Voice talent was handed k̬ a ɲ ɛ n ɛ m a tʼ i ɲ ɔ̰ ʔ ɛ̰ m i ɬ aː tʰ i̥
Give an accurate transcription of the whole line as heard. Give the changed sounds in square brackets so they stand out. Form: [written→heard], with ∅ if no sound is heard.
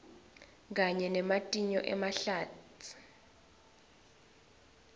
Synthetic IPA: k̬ a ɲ ɛ n ɛ m a tʼ i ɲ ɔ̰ ʔ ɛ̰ m [i→a] ɬ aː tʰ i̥